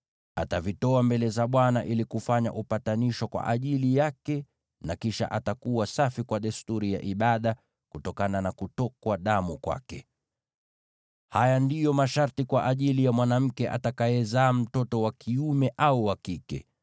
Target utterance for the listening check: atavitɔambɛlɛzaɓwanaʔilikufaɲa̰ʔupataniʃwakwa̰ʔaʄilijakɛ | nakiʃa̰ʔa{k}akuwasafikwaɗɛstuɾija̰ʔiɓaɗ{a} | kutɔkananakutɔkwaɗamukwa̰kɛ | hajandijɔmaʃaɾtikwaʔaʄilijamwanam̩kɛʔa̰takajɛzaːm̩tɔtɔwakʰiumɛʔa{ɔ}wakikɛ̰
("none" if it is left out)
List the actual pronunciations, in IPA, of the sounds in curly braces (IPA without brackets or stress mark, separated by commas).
t, a, u